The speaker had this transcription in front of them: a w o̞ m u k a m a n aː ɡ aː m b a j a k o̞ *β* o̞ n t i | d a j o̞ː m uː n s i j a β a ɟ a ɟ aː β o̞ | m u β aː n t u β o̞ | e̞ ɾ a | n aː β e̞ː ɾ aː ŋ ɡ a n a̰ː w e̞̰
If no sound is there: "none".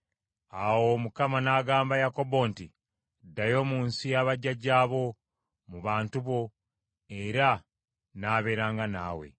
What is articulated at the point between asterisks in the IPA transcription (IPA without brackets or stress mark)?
b